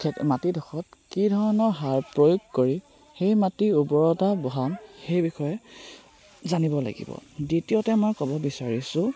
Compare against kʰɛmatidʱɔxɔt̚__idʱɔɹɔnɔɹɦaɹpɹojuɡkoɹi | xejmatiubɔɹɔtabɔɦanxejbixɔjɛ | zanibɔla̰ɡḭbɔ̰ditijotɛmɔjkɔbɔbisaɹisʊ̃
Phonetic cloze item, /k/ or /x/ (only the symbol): k